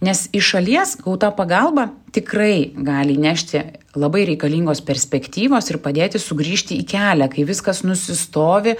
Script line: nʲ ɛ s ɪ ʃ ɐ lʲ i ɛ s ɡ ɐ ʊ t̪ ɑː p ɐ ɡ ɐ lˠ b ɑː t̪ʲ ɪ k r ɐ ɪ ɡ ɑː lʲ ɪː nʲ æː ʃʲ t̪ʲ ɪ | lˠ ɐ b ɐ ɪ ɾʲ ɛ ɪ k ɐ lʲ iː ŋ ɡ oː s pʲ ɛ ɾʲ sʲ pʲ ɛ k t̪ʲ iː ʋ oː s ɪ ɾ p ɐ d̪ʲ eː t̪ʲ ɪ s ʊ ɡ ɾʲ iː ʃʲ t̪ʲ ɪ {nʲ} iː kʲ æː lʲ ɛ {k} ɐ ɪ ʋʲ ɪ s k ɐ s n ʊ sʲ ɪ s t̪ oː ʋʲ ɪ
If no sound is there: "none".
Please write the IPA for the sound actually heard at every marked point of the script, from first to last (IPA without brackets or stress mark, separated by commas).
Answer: none, k